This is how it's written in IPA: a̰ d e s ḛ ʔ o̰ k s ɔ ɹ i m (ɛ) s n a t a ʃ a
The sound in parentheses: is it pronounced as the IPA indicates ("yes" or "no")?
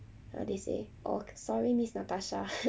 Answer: no